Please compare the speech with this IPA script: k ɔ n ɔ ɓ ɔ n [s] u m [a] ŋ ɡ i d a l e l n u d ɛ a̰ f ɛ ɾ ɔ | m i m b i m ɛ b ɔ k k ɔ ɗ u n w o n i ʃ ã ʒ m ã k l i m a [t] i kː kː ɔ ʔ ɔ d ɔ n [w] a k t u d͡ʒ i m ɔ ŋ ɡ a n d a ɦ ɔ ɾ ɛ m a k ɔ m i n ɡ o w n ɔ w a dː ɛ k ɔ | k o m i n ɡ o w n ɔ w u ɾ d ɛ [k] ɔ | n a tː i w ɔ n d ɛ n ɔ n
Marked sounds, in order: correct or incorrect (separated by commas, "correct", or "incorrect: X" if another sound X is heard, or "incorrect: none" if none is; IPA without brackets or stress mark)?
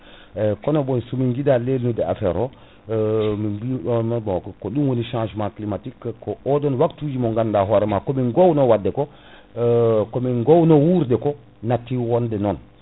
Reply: correct, incorrect: i, correct, correct, correct